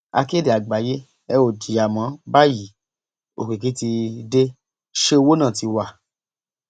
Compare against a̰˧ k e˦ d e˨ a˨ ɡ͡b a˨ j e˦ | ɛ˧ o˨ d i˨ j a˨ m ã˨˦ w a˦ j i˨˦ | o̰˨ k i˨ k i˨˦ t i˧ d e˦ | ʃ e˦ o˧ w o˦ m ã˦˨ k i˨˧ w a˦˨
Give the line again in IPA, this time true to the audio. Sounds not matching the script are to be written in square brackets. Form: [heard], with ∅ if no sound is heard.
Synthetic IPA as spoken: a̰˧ k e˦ d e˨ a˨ ɡ͡b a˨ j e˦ | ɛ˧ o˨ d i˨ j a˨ m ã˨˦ [b] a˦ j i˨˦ | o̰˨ k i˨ k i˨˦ t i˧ d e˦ | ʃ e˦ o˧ w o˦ [n] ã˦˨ [t] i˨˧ w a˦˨